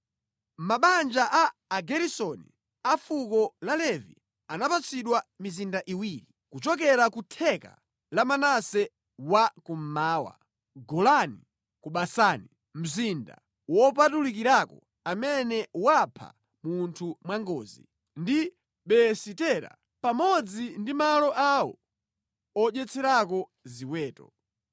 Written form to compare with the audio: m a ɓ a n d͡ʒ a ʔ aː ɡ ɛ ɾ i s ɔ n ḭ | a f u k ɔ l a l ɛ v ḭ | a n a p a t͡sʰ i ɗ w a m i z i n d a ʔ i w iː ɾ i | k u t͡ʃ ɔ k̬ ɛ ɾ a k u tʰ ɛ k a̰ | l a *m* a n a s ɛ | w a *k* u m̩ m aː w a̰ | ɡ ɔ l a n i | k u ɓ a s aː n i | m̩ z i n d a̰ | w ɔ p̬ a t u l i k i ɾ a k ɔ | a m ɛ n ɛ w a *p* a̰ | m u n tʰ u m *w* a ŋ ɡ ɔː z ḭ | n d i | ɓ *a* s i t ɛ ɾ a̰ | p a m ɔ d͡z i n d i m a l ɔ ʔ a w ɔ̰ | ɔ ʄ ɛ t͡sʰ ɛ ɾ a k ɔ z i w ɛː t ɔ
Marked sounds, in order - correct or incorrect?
correct, correct, incorrect: pʰ, correct, incorrect: ɛ

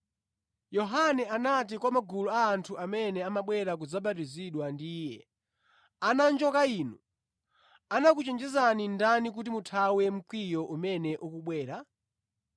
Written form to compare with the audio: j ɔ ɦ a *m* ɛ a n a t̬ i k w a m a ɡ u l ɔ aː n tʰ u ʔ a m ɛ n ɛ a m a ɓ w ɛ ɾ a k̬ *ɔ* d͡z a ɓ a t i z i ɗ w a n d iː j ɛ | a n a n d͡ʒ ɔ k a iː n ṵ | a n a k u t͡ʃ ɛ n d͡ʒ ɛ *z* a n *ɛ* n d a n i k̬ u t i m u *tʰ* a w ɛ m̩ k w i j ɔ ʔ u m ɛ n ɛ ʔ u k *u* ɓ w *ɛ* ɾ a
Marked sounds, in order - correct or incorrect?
incorrect: n, incorrect: u, correct, incorrect: i, correct, correct, incorrect: ɛː

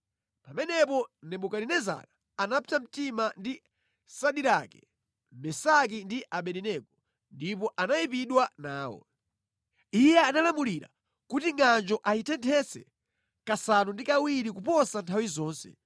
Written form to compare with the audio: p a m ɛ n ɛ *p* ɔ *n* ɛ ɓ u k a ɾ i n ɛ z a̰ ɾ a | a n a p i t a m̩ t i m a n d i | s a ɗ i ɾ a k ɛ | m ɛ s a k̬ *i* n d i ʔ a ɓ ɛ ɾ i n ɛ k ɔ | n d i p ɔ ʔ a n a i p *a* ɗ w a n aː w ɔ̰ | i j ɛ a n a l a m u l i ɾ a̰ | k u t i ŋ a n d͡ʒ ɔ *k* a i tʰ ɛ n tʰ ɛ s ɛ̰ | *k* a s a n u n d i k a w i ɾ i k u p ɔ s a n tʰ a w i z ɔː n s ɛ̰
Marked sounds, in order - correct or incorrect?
correct, correct, correct, incorrect: i, incorrect: ʔ, correct

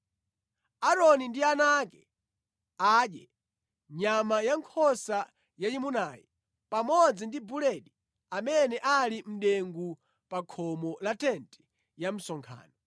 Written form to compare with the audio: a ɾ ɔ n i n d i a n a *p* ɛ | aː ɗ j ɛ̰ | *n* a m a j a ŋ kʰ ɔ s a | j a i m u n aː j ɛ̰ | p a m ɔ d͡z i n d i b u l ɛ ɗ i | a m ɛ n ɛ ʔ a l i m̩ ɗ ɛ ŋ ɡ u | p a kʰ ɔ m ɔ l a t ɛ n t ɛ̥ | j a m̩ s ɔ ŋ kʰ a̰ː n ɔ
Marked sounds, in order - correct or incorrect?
incorrect: k, incorrect: ɲ

